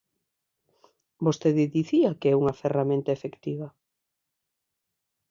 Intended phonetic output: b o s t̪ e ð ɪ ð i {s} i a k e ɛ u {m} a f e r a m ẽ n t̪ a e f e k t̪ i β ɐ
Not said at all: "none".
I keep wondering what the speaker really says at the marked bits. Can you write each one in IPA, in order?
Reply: θ, ŋ

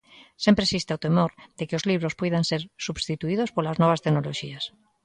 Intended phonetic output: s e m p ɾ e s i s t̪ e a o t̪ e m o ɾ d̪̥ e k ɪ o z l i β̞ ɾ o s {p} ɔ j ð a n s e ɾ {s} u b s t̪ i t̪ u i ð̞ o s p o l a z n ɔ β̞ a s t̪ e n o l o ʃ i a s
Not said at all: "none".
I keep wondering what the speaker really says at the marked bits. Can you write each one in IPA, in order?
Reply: p, s

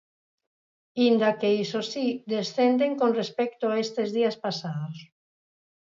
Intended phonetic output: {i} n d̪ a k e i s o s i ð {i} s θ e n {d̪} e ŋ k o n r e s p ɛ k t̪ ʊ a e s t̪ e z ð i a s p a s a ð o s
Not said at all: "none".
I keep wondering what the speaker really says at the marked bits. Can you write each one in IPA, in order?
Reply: i, e, d̪

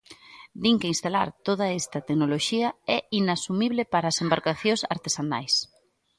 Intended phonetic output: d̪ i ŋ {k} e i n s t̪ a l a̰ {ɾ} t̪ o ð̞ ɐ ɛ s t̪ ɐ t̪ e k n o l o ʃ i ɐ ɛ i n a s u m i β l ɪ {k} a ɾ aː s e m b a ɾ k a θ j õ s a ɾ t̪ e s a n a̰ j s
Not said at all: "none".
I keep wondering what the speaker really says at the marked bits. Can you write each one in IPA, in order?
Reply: k, ɾ, p

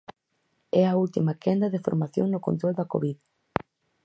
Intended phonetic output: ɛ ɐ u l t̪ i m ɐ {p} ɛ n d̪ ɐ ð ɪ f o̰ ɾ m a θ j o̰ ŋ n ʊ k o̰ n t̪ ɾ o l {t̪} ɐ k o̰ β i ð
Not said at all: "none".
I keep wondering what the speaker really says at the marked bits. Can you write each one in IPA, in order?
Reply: k, d̪

